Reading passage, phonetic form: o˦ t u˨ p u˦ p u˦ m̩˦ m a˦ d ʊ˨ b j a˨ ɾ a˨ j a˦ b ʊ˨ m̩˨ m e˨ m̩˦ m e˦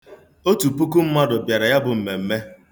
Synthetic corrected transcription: o˦ t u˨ p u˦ k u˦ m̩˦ m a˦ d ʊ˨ b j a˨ ɾ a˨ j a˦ b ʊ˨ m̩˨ m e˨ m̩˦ m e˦